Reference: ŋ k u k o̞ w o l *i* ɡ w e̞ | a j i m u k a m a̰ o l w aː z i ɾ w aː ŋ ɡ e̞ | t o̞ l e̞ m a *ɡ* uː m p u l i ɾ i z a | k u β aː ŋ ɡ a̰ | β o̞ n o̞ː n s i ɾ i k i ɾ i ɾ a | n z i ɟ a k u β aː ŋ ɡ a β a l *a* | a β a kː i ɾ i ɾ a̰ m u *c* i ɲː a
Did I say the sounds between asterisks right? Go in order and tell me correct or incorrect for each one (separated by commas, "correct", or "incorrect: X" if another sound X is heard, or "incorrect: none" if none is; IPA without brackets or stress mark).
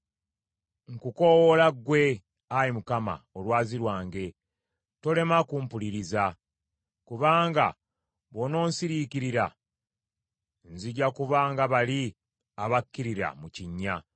incorrect: a, incorrect: k, incorrect: i, correct